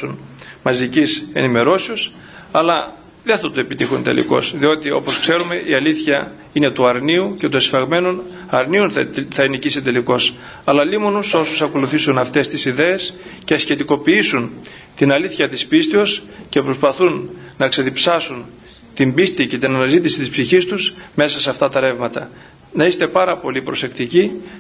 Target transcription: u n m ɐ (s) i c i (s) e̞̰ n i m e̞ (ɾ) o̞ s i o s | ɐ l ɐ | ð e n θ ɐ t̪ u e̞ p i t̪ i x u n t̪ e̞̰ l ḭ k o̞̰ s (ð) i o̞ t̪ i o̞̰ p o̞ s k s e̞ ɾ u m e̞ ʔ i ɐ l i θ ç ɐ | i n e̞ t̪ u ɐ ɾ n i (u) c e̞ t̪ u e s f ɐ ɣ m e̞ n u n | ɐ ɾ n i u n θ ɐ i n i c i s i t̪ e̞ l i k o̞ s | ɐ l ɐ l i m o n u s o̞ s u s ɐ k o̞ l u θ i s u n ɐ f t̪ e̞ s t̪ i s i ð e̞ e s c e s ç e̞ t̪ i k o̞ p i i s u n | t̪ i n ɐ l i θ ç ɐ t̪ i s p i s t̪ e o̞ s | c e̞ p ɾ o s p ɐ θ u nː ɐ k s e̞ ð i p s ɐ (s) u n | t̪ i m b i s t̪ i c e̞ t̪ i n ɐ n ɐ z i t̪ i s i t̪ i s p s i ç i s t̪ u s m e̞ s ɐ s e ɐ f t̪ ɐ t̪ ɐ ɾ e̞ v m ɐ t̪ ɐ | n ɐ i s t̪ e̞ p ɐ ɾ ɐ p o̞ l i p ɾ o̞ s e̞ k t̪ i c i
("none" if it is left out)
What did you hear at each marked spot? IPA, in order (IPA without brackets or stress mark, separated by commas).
z, s, ɾ, ð, u, s